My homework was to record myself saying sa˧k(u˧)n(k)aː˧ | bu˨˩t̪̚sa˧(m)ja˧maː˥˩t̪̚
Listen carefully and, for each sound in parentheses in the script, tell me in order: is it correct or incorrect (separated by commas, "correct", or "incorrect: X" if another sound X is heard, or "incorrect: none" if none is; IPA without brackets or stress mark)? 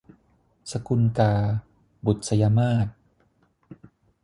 correct, correct, incorrect: none